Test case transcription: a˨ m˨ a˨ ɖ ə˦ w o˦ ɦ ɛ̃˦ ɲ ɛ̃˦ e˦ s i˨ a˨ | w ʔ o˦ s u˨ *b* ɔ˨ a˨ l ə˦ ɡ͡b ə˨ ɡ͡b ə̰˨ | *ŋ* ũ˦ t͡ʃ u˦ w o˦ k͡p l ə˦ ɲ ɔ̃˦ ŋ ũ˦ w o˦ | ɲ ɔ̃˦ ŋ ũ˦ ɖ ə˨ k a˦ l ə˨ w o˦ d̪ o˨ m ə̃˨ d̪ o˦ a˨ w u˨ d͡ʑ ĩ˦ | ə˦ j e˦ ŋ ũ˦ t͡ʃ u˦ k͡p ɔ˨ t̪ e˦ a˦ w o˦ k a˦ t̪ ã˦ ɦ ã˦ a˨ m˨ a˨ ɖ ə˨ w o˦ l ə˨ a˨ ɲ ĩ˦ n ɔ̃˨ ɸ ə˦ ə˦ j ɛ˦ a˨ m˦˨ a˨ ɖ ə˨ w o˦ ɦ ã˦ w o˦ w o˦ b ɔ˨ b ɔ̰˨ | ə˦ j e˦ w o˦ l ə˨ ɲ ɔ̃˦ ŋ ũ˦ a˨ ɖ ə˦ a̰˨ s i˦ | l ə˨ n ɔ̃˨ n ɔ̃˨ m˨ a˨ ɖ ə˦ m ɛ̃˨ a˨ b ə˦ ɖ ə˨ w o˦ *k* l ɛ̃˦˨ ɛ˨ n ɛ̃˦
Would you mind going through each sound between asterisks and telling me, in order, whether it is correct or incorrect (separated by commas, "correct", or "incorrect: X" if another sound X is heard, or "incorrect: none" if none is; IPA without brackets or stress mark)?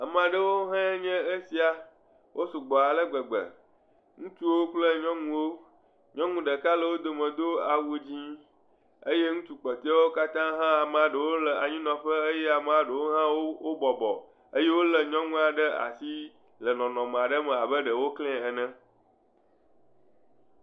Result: incorrect: ɡ͡b, correct, correct